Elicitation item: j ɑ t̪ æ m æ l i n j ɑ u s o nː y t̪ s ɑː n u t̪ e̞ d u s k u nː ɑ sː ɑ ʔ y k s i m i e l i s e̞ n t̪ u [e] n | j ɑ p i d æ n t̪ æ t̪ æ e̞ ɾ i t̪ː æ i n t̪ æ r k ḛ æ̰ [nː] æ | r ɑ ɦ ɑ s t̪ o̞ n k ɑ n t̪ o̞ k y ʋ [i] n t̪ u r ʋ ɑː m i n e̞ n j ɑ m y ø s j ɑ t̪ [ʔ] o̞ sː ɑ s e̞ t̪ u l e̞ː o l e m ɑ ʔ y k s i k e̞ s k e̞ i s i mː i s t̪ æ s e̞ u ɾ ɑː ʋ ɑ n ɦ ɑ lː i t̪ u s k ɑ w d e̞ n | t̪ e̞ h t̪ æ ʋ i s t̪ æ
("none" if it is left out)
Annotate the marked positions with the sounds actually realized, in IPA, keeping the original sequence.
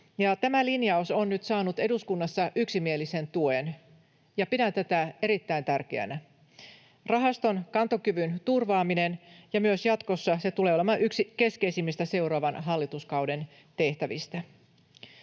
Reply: e, n, y, k

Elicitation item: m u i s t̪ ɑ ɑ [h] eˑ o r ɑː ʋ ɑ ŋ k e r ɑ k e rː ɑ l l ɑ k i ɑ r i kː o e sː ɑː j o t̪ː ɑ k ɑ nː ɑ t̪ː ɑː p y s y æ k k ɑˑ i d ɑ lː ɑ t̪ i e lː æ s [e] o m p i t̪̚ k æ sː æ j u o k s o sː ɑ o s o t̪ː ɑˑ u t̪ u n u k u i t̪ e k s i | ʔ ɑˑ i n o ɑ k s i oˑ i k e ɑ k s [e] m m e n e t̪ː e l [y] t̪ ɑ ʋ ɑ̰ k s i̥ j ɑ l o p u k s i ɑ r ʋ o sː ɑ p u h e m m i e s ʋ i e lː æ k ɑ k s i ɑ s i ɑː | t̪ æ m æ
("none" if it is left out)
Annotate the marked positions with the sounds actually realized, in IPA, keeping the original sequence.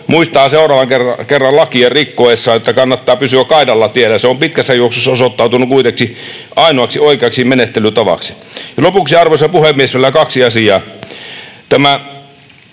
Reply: s, e, i, y

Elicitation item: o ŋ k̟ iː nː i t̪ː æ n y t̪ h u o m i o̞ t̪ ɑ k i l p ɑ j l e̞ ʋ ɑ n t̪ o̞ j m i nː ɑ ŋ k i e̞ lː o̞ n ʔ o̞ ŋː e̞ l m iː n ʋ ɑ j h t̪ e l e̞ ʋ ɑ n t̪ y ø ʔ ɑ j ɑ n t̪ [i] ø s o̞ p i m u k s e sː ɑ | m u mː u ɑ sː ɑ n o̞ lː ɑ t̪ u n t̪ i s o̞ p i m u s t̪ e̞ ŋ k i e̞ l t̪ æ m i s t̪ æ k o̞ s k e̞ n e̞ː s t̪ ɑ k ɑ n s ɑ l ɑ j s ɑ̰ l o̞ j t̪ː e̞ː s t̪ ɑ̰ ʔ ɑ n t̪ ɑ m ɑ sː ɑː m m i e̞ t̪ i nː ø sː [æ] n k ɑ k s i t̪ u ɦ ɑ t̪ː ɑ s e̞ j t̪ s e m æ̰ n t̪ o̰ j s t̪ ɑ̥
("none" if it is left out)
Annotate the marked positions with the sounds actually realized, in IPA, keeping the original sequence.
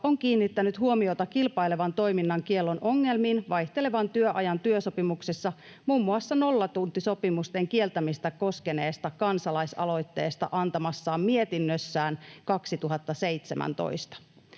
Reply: y, æː

